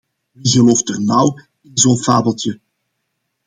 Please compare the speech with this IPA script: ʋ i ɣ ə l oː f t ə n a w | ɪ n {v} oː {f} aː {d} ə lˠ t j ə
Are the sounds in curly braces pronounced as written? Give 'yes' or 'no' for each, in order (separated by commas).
no, yes, no